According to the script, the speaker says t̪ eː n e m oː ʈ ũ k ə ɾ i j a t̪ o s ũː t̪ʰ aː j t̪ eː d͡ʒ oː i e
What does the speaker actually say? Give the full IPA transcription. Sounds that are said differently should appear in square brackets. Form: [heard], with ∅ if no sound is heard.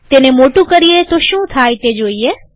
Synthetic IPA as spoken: t̪ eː n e m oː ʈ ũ k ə ɾ i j [e] t̪ o [ʃ] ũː t̪ʰ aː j t̪ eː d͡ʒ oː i e